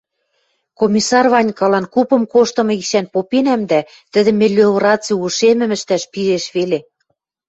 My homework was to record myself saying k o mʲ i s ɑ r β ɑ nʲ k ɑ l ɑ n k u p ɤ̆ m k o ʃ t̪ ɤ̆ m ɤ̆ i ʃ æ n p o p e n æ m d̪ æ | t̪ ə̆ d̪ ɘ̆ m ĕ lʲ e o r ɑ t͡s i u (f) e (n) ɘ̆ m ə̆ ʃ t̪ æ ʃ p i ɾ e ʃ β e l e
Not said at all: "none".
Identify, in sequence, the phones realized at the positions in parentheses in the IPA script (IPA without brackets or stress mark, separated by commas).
ʃ, m